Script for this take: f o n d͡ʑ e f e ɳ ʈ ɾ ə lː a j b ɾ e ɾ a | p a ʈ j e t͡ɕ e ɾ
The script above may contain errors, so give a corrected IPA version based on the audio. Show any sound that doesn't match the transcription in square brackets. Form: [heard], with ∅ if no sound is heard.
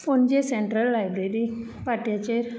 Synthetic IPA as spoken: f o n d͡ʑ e [s] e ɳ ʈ ɾ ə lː a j b ɾ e ɾ [i] | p a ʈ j [a] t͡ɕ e ɾ